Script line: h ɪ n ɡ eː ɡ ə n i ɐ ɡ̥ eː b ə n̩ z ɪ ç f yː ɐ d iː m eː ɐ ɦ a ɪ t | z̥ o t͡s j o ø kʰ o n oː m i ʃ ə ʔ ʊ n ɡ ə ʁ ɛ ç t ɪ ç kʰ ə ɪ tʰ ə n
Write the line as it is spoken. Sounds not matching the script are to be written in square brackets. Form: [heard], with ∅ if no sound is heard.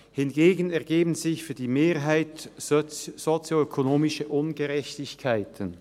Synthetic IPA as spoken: h ɪ n ɡ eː ɡ ə n [ɛ] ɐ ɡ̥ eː b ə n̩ z ɪ ç f yː ɐ d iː m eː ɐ ɦ a ɪ t | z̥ o t͡s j o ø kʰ o n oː m [ɪ] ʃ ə ʔ ʊ n ɡ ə ʁ ɛ ç t ɪ ç kʰ [a] ɪ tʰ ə n